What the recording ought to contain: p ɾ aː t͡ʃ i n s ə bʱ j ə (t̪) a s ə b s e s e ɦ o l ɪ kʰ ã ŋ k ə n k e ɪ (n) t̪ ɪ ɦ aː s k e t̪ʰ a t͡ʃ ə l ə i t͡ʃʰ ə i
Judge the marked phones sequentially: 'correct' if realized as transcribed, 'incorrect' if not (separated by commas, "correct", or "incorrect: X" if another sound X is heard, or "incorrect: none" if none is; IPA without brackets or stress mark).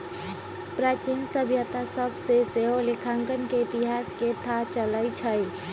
correct, incorrect: none